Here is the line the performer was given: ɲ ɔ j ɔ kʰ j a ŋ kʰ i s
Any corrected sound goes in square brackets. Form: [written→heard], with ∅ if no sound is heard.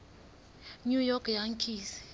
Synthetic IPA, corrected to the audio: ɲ [ɔ→u] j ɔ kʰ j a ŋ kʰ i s